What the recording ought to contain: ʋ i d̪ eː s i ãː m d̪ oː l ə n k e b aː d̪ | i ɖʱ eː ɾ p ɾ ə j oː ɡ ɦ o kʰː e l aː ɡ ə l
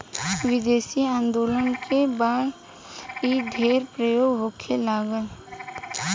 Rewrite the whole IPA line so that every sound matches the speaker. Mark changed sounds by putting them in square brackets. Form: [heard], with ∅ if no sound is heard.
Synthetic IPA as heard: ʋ [ɪ] d̪ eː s i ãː [n] d̪ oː l ə n k e b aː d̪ | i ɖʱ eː ɾ p ɾ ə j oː ɡ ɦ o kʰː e l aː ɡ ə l

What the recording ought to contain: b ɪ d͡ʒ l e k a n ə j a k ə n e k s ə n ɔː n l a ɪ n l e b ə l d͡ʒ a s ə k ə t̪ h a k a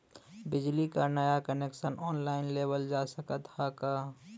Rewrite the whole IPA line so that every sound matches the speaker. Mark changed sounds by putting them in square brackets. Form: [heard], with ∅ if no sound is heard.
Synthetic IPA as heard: b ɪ d͡ʒ l [i] k a n ə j a k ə n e k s ə n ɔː n l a ɪ n l e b ə l d͡ʒ a s ə k ə t̪ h a k a

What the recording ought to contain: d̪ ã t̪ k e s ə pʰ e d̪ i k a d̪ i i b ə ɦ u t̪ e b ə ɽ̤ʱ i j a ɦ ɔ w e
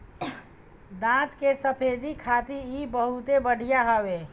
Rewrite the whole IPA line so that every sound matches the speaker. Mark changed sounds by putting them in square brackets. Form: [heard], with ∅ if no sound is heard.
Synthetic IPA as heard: d̪ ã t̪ k e s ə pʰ e d̪ i [kʰ] a [t̪] i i b ə ɦ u t̪ e b ə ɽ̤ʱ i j a ɦ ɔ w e

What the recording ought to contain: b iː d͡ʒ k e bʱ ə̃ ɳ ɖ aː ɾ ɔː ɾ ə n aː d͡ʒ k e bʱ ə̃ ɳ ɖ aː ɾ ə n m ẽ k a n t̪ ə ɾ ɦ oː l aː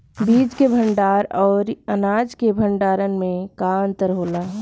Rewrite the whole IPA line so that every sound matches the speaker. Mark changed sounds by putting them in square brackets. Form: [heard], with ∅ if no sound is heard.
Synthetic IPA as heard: b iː d͡ʒ k e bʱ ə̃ ɳ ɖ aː ɾ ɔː ɾ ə n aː d͡ʒ k e bʱ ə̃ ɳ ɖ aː ɾ ə n m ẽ k a n t̪ ə ɾ ɦ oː l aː

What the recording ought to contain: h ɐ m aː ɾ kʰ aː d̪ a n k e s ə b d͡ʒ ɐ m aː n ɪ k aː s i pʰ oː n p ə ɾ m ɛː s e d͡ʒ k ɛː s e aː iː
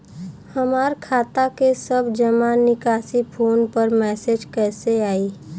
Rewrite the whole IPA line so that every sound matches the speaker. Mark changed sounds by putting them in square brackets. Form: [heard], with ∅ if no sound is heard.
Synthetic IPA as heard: h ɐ m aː ɾ kʰ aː [t̪] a [∅] k e s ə b d͡ʒ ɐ m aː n ɪ k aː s i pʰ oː n p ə ɾ m ɛː s e d͡ʒ k ɛː s e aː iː

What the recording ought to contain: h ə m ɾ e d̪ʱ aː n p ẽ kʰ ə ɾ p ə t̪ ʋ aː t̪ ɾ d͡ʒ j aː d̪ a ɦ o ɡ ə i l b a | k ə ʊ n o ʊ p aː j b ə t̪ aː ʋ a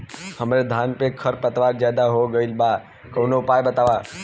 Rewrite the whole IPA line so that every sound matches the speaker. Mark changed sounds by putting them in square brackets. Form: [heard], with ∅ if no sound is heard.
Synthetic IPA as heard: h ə m ɾ e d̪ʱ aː n p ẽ kʰ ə ɾ p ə t̪ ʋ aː [∅] ɾ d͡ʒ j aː d̪ a ɦ o ɡ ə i l b a | k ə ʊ n o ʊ p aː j b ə t̪ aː ʋ a

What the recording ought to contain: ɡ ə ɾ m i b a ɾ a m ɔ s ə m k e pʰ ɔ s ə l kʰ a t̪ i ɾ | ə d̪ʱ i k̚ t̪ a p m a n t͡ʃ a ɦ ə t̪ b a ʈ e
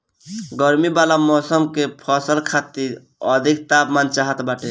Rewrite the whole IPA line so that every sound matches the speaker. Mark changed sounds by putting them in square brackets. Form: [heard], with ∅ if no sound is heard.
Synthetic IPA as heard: ɡ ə ɾ m i b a [l] a m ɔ s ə m k e pʰ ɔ s ə l kʰ a t̪ i ɾ | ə d̪ʱ i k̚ t̪ a p m a n t͡ʃ a ɦ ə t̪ b a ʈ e

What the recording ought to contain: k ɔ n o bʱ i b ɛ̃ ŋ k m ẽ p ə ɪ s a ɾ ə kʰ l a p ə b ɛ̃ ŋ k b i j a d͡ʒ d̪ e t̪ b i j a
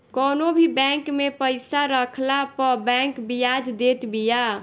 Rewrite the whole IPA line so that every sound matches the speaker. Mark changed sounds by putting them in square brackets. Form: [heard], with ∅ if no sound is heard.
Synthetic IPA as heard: k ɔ n o bʱ i b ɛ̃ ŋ k m [e] p ə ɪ s a ɾ ə kʰ l a p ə b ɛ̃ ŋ k b i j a d͡ʒ d̪ e t̪ b i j a

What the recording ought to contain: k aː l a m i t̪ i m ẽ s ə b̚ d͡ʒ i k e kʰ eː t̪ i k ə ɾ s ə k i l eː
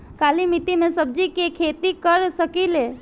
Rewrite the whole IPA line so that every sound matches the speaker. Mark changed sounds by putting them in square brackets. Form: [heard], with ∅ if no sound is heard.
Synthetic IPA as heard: k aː l [i] m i t̪ i m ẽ s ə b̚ d͡ʒ i k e kʰ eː t̪ i k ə ɾ s ə k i l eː

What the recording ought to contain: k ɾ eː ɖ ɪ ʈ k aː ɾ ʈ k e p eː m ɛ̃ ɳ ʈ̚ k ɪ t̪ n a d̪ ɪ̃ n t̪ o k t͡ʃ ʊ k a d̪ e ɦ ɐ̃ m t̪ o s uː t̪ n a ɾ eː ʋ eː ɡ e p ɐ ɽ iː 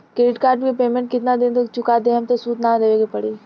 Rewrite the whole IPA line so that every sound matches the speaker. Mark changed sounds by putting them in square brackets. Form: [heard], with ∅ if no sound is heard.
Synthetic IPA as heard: k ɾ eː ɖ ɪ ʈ k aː ɾ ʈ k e p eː m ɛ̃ ɳ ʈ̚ k ɪ t̪ n a d̪ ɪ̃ n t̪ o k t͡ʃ ʊ k a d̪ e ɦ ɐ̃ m t̪ o s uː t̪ n a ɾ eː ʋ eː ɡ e p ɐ ɽ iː

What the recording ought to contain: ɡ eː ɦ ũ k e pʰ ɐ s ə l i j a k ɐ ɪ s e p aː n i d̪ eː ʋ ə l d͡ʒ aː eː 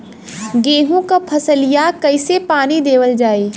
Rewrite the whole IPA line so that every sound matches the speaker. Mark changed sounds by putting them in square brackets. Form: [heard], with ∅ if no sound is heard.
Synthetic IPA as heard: ɡ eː ɦ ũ k [a] pʰ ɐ s ə l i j a k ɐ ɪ s e p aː n i d̪ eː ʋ ə l d͡ʒ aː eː

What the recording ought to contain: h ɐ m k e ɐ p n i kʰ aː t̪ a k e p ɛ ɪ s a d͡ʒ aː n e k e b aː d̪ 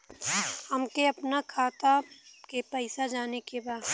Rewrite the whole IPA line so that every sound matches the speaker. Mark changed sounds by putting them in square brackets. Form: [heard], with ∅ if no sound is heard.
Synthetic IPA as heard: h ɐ m k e ɐ p n [a] kʰ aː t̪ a k e p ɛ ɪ s a d͡ʒ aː n e k e b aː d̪

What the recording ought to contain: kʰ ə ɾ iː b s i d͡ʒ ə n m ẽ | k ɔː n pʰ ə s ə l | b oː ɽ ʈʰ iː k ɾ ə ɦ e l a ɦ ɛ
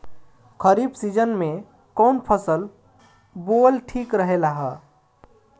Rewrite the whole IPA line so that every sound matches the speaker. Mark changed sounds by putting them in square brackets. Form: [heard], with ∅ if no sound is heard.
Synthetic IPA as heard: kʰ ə ɾ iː b s i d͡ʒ ə n m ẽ | k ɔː n pʰ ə s ə l | b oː [l] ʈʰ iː k ɾ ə ɦ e l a ɦ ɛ

